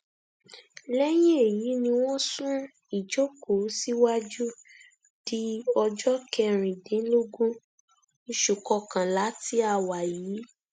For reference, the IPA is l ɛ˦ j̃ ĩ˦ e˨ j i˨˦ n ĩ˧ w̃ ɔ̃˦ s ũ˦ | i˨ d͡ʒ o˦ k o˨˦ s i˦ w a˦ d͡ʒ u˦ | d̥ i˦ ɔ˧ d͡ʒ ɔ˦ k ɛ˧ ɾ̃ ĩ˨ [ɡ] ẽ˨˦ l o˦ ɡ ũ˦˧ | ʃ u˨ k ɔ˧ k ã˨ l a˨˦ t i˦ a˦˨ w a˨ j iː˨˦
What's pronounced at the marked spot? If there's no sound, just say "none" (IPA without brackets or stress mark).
d